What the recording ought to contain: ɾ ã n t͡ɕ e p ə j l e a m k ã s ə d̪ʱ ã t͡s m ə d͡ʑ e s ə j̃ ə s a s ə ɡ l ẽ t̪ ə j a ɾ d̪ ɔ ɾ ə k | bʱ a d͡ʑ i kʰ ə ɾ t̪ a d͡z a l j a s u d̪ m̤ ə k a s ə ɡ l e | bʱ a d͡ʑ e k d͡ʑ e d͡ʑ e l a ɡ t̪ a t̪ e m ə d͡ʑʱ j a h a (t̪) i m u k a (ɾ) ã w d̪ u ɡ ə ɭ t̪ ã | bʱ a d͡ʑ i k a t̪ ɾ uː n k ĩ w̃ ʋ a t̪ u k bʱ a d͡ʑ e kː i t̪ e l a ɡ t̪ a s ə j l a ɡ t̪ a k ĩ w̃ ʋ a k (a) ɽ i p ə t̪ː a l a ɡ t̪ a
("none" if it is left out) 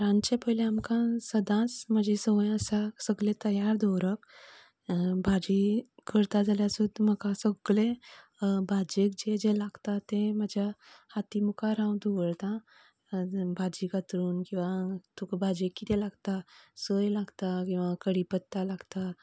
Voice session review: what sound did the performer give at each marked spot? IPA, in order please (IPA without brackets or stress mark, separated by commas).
t̪, ɾ, ə